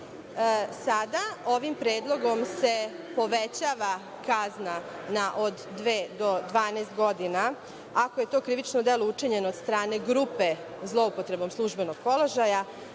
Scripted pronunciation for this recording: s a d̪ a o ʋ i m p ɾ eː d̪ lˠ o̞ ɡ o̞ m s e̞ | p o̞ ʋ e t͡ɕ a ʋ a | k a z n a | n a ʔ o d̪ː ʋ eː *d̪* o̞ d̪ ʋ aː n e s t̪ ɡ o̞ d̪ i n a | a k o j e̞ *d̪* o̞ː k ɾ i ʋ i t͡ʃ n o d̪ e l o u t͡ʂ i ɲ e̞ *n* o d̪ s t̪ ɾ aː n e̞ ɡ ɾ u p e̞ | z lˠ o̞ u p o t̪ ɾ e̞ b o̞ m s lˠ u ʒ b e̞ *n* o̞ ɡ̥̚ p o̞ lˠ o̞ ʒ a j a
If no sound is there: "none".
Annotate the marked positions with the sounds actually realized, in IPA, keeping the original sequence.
d̪, t̪, n, n

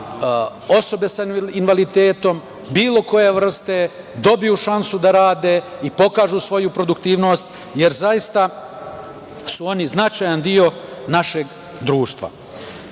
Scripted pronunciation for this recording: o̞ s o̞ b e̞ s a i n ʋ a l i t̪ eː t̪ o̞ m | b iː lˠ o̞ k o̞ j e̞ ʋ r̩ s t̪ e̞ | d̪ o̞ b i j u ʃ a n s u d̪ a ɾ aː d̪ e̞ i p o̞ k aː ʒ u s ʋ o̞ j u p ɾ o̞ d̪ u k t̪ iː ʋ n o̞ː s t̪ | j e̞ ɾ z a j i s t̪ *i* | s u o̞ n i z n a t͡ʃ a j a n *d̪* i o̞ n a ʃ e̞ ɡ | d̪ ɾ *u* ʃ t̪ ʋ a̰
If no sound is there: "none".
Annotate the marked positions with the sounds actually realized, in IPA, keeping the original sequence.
a, d̪, uː

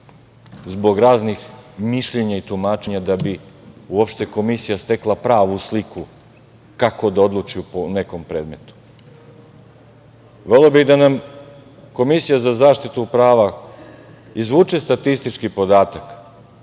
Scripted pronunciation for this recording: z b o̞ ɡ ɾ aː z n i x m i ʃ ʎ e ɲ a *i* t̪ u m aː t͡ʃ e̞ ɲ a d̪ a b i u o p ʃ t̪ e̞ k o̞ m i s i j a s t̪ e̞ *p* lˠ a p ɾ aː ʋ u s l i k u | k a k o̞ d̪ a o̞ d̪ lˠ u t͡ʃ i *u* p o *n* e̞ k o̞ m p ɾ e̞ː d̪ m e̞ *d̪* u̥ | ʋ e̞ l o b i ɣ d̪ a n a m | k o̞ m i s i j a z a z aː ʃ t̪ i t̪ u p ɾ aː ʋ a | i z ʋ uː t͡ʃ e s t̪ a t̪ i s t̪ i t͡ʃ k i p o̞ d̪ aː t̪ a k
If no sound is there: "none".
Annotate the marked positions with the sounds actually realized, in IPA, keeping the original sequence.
i, k, u, n, t̪

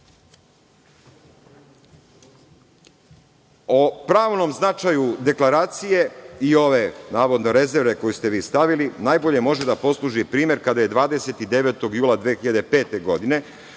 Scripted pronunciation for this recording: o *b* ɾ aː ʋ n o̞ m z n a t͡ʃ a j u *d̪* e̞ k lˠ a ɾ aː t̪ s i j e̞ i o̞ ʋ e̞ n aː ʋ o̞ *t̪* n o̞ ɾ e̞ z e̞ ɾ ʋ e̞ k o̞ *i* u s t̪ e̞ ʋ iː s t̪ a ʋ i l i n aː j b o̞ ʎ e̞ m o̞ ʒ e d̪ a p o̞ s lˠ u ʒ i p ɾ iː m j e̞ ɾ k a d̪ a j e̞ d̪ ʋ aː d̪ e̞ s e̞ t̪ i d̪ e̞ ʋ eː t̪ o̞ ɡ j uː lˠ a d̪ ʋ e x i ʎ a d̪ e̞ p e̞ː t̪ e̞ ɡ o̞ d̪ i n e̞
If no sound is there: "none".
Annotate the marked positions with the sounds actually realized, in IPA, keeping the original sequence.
p, d̪, d̪, j

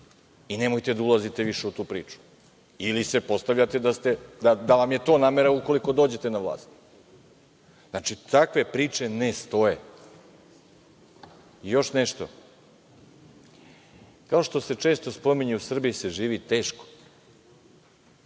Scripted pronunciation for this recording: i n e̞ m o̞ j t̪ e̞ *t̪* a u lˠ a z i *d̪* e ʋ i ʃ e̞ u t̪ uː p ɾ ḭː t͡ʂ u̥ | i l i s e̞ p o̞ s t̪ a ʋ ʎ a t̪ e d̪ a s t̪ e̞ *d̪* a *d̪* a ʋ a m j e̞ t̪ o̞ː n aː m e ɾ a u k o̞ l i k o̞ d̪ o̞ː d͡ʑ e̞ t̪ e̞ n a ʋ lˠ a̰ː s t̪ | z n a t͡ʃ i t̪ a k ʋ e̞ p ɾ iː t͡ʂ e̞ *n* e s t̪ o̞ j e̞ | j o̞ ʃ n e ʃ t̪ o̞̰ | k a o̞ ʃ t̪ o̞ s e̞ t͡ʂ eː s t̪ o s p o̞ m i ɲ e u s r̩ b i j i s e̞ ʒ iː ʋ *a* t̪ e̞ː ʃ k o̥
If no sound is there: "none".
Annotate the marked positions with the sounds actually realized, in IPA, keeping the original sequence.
d̪, t̪, d̪, d̪, n, i

